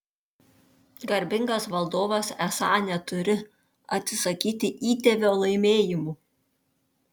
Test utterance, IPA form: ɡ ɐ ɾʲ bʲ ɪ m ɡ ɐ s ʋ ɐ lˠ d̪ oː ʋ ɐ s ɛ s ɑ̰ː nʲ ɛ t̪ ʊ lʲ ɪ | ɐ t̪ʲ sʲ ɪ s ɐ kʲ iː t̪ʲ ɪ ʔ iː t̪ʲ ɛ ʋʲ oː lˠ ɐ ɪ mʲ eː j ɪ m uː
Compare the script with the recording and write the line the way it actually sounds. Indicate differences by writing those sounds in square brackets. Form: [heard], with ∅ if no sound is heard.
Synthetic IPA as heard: ɡ ɐ ɾʲ bʲ ɪ [ŋ] ɡ ɐ s ʋ ɐ lˠ d̪ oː ʋ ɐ s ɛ s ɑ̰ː nʲ ɛ t̪ ʊ [ɾʲ] ɪ | ɐ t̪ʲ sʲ ɪ s ɐ kʲ iː t̪ʲ ɪ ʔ iː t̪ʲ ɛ ʋʲ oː lˠ ɐ ɪ mʲ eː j ɪ m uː